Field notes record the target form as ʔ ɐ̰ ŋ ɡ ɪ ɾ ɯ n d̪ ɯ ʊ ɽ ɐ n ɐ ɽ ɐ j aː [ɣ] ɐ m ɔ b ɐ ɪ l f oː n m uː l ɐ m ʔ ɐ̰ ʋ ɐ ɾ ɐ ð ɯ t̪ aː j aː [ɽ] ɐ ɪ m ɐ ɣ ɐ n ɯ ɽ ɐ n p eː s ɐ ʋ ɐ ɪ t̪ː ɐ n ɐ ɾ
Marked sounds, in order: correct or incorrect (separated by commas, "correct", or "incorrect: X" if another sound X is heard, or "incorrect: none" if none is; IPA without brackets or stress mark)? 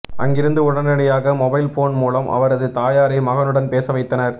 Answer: correct, incorrect: ɾ